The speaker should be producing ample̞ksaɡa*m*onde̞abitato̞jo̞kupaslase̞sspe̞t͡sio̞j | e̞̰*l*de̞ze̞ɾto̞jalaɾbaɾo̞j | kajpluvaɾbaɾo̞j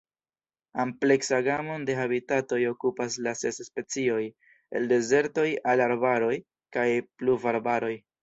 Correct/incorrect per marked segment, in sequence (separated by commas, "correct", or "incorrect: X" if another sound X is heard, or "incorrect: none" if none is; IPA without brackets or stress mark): correct, correct